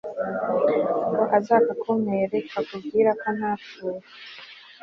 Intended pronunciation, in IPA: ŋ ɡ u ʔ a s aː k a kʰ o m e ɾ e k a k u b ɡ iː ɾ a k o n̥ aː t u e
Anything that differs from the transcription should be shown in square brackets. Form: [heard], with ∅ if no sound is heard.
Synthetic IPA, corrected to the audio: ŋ ɡ [o] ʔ a [z] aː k a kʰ o m e ɾ e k a k u b ɡ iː ɾ a k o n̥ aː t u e